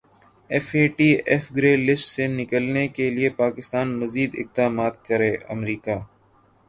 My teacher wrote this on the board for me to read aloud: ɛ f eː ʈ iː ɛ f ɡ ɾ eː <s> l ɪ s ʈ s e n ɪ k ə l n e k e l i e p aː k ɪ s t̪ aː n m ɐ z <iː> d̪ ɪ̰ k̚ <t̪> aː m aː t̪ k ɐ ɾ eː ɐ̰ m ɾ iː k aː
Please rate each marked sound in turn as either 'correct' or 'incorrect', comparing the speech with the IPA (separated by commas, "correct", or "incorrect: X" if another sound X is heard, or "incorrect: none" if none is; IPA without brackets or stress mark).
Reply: incorrect: none, correct, incorrect: d̪